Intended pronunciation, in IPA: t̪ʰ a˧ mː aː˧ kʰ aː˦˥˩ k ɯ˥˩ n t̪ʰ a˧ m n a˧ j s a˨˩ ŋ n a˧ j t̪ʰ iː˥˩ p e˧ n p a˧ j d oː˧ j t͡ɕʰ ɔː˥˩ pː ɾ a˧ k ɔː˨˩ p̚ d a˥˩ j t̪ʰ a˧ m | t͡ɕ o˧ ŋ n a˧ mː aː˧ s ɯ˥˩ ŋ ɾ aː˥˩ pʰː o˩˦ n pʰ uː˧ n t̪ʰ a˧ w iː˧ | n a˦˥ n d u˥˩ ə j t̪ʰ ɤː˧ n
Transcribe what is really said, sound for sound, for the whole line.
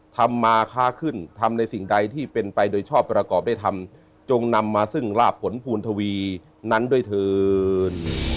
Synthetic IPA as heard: t̪ʰ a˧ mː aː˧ kʰ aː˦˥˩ kʰ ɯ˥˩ n t̪ʰ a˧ m n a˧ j s i˨˩ ŋ d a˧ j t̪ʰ iː˥˩ p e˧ n p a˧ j d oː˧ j t͡ɕʰ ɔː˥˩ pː ɾ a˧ k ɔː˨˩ p̚ d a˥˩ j t̪ʰ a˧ m | t͡ɕ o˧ ŋ n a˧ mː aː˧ s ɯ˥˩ ŋ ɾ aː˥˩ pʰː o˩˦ n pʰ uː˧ n t̪ʰ a˧ w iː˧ | n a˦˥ n d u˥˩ ə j t̪ʰ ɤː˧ n